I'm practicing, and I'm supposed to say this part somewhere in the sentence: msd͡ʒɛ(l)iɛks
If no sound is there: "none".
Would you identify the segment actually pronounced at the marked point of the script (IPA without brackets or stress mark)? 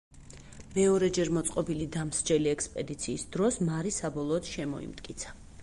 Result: l